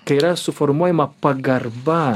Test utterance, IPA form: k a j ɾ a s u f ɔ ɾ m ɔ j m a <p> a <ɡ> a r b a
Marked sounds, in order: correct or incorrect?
correct, correct

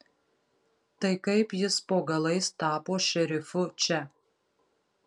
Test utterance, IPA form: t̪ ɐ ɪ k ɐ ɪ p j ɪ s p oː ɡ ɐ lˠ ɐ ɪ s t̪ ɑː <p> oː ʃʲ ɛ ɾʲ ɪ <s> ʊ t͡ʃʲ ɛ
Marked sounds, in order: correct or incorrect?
correct, incorrect: f

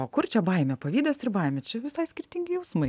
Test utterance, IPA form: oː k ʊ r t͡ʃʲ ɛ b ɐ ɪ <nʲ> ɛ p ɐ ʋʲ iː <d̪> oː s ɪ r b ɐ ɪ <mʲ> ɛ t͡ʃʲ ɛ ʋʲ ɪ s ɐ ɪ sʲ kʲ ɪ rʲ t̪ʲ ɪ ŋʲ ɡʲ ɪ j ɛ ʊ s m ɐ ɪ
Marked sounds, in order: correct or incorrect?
incorrect: mʲ, correct, correct

